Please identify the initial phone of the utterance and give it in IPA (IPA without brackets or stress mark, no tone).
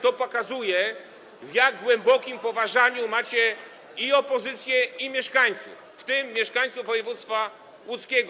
t̪